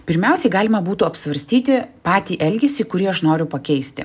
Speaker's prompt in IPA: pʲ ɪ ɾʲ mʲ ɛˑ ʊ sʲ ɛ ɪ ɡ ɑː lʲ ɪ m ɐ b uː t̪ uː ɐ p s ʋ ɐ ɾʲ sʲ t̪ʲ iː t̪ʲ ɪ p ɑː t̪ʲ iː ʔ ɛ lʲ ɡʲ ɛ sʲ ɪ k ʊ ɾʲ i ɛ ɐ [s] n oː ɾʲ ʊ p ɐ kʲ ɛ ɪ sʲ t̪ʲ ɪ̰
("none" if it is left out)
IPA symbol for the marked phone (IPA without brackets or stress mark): ʃ